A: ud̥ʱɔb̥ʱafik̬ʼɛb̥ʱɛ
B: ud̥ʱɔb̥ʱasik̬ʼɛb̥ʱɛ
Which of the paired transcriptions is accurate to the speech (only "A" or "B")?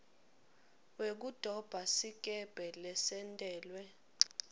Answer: B